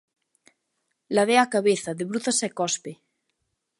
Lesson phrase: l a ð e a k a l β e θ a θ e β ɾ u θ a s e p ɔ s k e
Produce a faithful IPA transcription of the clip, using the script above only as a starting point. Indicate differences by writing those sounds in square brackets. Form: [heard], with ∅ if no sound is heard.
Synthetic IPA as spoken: l a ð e a k a [∅] β e θ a [ð] e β ɾ u θ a s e [k] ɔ s [p] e